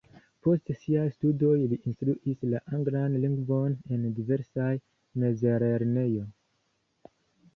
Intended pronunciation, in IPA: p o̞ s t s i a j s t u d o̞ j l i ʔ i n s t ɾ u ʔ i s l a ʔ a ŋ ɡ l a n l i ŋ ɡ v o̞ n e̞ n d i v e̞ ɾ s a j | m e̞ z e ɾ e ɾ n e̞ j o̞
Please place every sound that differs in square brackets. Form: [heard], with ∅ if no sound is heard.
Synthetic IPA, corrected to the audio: p o̞ s t s i a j s t u d o̞ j l i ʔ i n s t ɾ u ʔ i s l a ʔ a ŋ ɡ l a n l i ŋ ɡ v o̞ n e̞ n d i v e̞ ɾ s a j | m e̞ z e ɾ e ɾ n e̞ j o̞